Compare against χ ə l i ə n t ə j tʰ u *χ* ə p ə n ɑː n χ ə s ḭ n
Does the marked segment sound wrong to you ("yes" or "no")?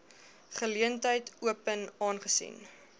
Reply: yes